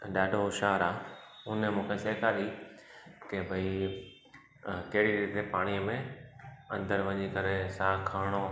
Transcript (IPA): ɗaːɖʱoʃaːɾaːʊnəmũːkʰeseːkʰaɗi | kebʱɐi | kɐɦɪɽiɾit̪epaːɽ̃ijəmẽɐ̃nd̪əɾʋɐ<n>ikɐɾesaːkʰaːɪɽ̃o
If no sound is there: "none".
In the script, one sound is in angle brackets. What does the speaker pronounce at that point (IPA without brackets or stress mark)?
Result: ɲ